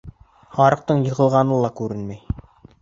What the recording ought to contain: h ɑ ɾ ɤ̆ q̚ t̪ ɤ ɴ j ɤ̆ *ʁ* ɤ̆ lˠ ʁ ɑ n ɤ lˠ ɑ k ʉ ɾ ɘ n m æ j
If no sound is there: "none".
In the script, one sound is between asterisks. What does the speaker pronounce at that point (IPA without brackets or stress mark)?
ʁ